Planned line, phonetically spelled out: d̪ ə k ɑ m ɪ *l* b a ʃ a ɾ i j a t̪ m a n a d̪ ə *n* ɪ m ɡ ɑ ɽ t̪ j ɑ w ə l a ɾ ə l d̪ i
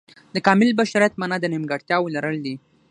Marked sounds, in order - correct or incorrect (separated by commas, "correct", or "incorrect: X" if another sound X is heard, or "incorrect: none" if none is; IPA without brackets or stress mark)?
correct, correct